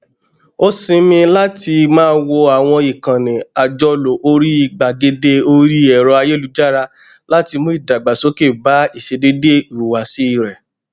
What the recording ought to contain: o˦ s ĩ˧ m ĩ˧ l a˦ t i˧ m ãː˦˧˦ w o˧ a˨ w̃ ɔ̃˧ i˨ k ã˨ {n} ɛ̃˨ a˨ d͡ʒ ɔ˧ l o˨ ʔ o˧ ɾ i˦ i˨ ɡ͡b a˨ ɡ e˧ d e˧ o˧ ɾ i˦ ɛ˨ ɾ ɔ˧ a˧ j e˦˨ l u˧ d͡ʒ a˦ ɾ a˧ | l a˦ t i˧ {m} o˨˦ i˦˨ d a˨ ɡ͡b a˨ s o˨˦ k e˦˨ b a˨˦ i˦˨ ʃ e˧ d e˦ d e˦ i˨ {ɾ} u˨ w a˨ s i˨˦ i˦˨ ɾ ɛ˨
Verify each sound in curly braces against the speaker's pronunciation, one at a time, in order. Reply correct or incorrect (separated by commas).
correct, correct, correct